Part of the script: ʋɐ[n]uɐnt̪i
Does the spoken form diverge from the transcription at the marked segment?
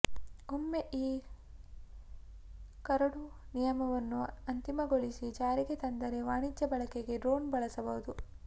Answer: yes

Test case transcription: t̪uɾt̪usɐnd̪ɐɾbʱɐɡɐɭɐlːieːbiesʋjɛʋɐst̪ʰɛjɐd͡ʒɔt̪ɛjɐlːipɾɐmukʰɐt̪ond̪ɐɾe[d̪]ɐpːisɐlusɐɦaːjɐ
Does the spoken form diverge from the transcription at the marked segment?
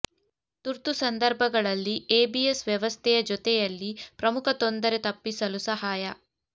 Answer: yes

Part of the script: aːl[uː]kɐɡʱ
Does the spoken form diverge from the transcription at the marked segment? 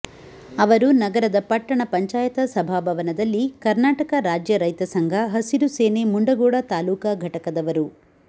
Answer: no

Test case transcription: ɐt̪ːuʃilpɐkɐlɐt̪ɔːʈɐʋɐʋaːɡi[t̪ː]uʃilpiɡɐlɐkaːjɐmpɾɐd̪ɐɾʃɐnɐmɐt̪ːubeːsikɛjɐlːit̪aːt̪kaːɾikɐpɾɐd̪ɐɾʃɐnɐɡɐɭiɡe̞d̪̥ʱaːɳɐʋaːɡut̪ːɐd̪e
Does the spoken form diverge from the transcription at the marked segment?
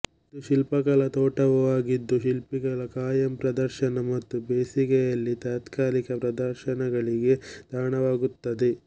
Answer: yes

